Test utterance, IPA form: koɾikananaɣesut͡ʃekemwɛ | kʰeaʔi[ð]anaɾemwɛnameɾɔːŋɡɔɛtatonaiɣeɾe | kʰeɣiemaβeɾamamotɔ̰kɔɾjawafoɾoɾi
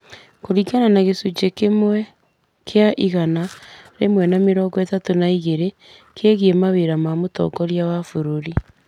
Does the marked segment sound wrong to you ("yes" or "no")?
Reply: yes